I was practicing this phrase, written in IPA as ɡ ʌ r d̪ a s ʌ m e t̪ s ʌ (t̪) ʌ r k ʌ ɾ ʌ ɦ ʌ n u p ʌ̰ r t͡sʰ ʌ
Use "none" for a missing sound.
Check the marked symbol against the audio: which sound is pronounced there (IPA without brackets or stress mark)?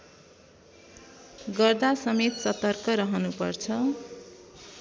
t̪